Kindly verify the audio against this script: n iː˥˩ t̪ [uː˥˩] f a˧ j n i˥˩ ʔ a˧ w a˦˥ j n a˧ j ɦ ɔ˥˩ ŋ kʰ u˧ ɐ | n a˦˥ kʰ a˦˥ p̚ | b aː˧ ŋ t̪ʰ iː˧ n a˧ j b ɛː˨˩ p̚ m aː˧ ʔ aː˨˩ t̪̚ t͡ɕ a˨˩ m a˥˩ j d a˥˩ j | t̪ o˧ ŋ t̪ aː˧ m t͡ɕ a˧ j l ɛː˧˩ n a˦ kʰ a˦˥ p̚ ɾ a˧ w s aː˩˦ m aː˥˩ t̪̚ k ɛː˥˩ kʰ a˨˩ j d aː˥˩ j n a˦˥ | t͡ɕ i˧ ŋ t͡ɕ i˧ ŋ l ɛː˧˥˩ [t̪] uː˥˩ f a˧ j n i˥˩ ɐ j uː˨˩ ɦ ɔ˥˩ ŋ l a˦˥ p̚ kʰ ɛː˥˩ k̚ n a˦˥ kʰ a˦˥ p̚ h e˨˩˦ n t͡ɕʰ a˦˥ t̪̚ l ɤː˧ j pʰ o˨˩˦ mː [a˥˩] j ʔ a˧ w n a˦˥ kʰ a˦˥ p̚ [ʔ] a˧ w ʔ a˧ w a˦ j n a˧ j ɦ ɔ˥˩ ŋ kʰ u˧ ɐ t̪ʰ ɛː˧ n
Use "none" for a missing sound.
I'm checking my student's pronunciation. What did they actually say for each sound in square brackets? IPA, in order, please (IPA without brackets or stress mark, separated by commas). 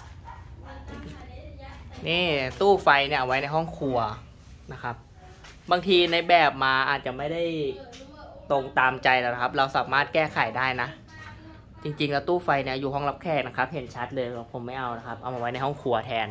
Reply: uː˥˩, t̪, a˥˩, ʔ